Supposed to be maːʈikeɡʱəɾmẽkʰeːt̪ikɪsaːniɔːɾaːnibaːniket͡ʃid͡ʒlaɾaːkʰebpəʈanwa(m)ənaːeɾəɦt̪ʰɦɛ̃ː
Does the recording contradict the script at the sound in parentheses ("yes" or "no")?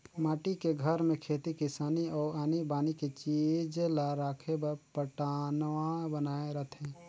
yes